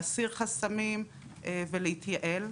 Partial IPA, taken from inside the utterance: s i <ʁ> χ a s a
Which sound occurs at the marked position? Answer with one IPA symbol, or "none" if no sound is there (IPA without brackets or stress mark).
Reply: ʁ